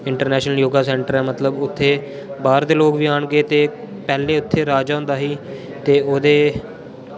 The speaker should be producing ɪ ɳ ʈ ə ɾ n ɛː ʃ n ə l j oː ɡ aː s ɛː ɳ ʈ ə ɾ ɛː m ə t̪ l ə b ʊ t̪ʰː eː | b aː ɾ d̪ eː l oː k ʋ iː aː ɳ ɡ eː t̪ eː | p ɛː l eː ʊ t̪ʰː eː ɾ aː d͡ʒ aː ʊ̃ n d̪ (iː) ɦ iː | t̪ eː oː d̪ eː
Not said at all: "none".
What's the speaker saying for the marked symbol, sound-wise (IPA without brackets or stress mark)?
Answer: aː